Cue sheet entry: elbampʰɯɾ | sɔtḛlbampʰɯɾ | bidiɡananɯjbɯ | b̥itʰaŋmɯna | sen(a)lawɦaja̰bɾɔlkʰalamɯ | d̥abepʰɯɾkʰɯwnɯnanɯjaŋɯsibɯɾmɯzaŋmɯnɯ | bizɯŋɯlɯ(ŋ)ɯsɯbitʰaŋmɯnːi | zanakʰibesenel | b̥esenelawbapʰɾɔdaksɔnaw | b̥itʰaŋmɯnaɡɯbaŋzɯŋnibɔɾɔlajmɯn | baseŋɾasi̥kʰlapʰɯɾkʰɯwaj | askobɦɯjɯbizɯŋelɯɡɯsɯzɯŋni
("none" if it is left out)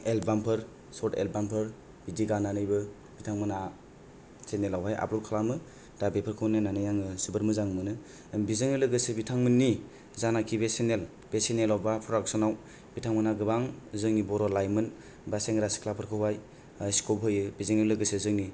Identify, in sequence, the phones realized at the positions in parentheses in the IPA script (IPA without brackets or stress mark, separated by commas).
e, ɡ